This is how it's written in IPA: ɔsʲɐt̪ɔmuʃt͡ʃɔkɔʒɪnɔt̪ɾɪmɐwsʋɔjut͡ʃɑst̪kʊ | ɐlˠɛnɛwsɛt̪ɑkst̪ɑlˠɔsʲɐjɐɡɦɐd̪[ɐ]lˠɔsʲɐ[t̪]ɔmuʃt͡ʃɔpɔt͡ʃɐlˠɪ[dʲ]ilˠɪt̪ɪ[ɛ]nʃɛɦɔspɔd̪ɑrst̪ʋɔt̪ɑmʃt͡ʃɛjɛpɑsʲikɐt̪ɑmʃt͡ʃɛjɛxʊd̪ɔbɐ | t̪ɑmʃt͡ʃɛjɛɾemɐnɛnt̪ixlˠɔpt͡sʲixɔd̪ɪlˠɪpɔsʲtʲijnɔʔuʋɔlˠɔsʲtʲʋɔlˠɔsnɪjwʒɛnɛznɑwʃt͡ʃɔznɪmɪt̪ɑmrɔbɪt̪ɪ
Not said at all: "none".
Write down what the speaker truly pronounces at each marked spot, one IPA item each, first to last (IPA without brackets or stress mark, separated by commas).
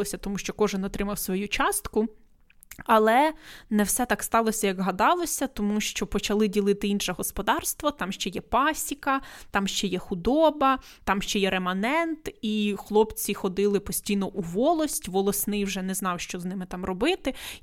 ɑ, t̪, dʲ, i